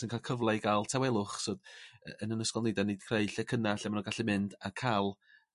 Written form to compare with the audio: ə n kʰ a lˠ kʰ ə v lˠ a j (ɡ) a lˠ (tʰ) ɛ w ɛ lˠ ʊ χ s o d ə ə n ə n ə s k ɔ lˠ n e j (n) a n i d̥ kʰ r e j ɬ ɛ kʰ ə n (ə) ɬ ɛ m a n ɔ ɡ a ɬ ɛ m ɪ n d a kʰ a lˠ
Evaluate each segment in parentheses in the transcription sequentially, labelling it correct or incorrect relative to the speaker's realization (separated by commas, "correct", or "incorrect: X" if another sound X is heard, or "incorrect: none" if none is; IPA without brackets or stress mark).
correct, correct, incorrect: d, incorrect: a